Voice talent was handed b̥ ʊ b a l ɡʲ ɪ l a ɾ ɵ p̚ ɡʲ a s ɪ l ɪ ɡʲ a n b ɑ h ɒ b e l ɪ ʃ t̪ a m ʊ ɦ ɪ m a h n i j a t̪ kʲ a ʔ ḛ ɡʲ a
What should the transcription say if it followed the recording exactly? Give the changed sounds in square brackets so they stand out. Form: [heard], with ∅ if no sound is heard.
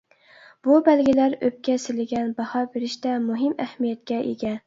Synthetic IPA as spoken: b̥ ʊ b a l ɡʲ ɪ l a ɾ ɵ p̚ [kʲ] a s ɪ l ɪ ɡʲ a n b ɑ h ɒ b e [ɾ] ɪ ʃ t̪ a m ʊ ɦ ɪ m a h [m] i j a t̪ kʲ a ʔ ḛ ɡʲ a